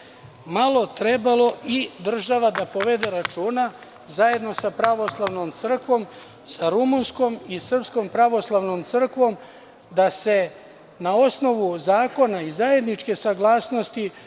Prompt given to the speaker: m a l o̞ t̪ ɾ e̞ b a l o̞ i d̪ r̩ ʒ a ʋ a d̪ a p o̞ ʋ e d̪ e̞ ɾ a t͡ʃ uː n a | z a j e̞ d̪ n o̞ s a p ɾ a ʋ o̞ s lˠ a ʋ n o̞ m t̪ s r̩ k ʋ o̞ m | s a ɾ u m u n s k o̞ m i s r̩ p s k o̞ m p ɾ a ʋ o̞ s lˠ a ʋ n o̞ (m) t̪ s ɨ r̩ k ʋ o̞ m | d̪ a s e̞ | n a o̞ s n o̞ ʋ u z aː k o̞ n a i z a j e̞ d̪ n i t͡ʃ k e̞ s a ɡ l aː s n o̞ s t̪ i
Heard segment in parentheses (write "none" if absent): m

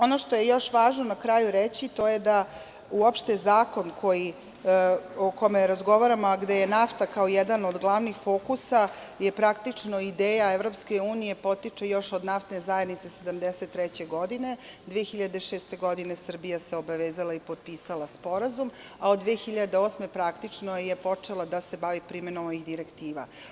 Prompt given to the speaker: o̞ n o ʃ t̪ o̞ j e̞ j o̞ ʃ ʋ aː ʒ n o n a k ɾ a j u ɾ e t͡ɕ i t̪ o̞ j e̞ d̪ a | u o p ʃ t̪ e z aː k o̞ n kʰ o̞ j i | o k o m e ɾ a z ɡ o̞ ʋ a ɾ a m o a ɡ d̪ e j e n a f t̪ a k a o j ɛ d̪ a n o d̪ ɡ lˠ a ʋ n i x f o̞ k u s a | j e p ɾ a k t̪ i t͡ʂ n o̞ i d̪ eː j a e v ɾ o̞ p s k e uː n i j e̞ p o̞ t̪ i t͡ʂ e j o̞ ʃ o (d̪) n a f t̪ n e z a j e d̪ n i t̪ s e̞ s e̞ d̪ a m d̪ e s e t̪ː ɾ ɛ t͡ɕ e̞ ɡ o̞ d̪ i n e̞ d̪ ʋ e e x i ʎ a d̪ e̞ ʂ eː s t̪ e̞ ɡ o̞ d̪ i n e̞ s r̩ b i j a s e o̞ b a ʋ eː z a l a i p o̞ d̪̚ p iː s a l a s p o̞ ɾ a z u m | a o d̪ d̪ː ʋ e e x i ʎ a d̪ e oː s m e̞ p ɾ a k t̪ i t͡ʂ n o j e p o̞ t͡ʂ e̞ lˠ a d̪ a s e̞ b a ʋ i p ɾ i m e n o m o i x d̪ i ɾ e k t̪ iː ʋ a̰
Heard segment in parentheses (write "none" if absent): d̪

